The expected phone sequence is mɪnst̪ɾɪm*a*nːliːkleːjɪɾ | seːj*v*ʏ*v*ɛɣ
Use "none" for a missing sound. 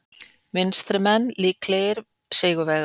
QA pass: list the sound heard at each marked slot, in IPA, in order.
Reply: ɛ, ɣ, v

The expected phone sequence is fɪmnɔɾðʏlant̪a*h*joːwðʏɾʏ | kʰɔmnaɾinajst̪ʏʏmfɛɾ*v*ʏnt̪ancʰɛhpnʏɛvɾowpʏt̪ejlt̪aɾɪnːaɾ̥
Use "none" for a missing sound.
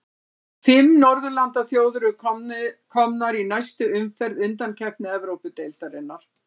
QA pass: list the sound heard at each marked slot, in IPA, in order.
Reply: θ, ð

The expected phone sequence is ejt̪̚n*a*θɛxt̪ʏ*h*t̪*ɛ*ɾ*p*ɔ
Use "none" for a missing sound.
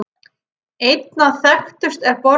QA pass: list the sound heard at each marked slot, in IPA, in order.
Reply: a, s, ɛ, p

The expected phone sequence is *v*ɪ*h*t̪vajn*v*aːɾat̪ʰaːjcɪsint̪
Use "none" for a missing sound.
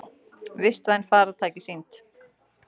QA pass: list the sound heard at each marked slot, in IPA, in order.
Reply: v, s, f

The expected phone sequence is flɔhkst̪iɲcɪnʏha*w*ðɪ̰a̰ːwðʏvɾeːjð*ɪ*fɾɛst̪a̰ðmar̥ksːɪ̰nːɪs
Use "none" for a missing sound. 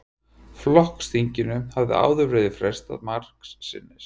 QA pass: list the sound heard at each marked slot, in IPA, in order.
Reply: v, ɪ

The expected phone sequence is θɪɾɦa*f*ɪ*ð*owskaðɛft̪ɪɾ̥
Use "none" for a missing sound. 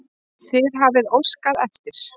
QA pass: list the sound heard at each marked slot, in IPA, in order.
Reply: v, ð

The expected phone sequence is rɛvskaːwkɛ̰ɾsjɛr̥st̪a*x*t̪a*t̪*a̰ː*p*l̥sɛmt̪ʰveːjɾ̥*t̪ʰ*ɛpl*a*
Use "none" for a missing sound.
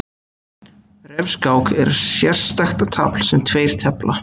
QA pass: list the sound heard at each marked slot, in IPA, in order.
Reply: x, t̪ʰ, p, t̪ʰ, a

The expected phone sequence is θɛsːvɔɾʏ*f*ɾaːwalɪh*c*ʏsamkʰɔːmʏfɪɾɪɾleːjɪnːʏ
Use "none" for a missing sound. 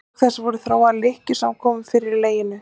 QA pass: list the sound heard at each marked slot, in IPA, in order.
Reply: θ, c

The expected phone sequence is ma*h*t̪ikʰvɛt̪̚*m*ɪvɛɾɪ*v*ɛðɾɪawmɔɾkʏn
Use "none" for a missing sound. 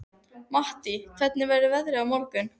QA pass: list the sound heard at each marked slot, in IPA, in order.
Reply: h, n, v

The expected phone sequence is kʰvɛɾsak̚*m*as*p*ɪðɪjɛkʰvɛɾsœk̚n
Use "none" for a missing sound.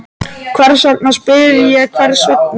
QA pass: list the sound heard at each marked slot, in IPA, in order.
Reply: n, p

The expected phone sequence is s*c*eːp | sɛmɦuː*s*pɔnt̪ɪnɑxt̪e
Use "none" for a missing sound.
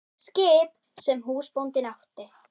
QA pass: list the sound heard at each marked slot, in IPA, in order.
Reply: k, s

